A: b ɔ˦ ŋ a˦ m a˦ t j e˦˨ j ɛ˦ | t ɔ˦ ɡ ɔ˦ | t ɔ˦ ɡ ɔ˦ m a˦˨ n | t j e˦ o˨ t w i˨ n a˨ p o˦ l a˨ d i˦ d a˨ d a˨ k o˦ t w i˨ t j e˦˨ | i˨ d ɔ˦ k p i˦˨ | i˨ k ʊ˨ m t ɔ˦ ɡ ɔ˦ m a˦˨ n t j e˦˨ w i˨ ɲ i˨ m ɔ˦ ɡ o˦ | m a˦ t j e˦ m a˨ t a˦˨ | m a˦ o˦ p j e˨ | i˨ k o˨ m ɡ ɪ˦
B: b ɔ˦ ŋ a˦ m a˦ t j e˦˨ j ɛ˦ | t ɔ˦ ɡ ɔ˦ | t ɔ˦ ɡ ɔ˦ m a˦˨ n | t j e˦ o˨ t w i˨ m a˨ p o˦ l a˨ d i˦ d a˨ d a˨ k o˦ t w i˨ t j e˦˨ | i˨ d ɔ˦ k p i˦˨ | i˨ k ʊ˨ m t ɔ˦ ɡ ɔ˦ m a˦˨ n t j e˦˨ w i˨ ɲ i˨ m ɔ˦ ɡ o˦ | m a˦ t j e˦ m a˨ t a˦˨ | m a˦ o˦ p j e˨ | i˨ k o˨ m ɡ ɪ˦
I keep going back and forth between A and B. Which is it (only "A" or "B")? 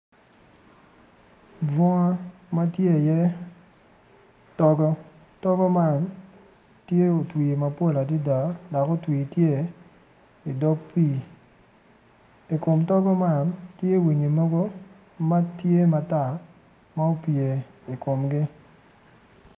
B